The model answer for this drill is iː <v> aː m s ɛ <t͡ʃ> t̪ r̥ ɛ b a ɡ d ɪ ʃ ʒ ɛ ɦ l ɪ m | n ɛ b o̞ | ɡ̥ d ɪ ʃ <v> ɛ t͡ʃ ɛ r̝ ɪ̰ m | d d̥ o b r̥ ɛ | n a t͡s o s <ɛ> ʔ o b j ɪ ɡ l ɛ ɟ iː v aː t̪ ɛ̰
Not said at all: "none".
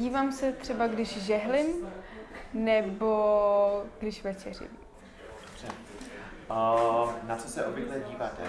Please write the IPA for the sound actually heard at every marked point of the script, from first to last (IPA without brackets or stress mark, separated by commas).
v, none, v, ɛ